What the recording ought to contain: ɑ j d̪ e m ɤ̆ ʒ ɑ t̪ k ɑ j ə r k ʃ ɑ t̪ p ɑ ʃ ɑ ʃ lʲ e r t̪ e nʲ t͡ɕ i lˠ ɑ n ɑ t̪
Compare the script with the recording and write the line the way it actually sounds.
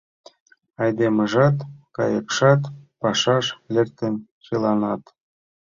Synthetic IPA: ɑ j d̪ e m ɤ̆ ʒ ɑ t̪ k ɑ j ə k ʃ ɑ t̪ p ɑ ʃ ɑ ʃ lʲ e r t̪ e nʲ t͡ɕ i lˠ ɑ n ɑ t̪